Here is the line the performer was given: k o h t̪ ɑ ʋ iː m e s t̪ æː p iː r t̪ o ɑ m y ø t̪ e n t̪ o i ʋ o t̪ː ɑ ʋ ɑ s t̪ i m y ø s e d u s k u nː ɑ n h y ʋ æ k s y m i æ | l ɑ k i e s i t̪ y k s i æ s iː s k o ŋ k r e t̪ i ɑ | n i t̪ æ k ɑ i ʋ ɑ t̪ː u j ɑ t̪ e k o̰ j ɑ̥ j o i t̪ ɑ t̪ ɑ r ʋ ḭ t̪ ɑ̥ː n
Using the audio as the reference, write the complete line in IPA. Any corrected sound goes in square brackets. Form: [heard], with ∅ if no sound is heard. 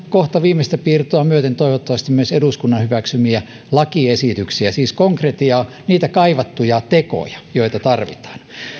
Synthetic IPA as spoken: k o h t̪ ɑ ʋ iː m e s t̪ [æ] p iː r t̪ o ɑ m y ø t̪ e n t̪ o i ʋ o t̪ː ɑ ʋ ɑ s t̪ i m y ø s e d u s k u nː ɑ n h y ʋ æ k s y m i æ | l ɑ k i e s i t̪ y k s i æ s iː s k o ŋ k r e t̪ i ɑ | n [iː] t̪ æ k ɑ i ʋ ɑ t̪ː u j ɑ t̪ e k o̰ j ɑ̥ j o i t̪ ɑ t̪ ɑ r ʋ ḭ t̪ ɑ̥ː n